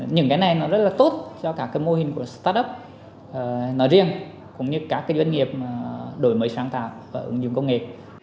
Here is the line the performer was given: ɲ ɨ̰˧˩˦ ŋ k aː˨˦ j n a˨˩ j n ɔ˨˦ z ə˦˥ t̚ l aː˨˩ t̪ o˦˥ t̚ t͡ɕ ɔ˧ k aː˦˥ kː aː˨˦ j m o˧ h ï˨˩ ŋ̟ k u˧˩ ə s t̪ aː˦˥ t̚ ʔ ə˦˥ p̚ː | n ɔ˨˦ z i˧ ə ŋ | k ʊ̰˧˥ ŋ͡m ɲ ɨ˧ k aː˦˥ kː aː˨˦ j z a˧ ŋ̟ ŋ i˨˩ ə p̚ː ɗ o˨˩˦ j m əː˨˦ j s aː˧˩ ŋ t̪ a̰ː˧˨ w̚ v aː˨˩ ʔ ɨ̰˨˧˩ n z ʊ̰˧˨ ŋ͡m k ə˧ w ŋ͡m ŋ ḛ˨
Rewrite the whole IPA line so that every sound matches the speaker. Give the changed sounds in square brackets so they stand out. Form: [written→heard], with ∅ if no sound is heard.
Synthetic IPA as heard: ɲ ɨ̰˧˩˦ ŋ k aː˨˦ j n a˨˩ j n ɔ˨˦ z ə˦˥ t̚ l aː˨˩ t̪ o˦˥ t̚ t͡ɕ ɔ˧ k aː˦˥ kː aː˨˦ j m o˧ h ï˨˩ ŋ̟ k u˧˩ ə s t̪ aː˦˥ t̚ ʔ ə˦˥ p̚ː | n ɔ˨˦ z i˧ ə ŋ | k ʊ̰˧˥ ŋ͡m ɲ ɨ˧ k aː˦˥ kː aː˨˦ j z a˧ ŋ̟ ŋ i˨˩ ə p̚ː ɗ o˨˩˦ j m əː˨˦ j s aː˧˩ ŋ t̪ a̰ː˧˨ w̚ v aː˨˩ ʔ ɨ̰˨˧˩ [n→ŋ] z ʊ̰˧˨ ŋ͡m k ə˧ w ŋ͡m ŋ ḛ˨

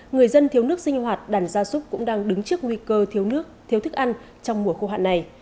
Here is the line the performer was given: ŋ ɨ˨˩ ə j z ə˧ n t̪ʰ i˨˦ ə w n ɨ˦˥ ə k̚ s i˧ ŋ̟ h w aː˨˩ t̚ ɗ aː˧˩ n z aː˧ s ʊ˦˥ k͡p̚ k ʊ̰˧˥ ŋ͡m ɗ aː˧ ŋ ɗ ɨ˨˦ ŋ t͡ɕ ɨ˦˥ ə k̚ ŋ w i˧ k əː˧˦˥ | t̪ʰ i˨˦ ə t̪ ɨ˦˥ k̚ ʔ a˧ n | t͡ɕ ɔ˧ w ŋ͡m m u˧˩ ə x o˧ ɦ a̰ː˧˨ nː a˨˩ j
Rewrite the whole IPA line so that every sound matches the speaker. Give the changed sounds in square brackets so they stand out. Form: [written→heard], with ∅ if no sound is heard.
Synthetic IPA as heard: ŋ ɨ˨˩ ə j z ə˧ n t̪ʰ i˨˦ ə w n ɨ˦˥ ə k̚ s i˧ ŋ̟ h w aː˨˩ t̚ ɗ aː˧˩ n z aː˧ s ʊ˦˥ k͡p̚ k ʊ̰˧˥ ŋ͡m ɗ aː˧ ŋ ɗ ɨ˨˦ ŋ t͡ɕ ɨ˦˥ ə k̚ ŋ w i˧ k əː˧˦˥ | t̪ʰ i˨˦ ə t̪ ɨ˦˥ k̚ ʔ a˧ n | t͡ɕ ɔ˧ w ŋ͡m m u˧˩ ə x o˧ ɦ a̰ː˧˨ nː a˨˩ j

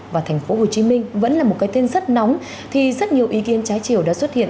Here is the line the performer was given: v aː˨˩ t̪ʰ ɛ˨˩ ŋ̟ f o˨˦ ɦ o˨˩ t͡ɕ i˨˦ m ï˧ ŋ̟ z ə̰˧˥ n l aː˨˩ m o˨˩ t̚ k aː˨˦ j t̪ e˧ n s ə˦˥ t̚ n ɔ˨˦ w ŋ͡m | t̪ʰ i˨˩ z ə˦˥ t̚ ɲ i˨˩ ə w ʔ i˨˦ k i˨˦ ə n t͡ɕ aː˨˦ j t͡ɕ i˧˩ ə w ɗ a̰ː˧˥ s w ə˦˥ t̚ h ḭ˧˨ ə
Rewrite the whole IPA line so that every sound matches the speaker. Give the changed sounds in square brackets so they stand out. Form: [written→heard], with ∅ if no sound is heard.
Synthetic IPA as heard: v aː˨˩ t̪ʰ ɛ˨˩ ŋ̟ f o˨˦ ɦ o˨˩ t͡ɕ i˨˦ m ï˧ ŋ̟ [z→v] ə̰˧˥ n l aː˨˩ m o˨˩ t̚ k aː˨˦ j t̪ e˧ n [s→z] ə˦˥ t̚ n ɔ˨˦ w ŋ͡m | t̪ʰ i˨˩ z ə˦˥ t̚ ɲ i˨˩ ə w ʔ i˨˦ k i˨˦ ə n t͡ɕ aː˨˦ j t͡ɕ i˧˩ ə w ɗ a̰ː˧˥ s w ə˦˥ t̚ h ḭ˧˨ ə

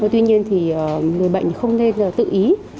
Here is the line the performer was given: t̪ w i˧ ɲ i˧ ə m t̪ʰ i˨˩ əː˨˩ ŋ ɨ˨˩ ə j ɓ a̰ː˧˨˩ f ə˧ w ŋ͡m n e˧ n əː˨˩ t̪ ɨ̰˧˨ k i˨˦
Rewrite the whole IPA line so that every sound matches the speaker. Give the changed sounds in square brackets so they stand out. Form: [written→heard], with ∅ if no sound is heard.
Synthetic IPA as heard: t̪ w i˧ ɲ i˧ ə [m→n] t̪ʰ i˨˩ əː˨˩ ŋ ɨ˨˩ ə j ɓ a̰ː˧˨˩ [f→x] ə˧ w ŋ͡m n e˧ n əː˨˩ t̪ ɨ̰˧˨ [k→ʔ] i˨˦

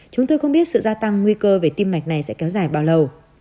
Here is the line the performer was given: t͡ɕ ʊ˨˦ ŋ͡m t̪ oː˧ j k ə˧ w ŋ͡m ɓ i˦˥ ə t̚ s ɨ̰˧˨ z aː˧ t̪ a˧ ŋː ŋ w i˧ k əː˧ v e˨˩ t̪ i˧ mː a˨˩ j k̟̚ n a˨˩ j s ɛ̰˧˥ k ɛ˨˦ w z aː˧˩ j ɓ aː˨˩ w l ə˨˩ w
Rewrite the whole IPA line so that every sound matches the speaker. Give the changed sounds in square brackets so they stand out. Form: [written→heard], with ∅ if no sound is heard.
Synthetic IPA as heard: t͡ɕ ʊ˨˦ ŋ͡m t̪ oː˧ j [k→x] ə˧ w ŋ͡m ɓ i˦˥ ə t̚ s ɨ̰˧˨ z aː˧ t̪ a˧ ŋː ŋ w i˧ k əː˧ v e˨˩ t̪ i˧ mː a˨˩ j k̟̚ n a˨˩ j s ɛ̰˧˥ k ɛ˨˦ w z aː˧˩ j ɓ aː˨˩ w l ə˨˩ w

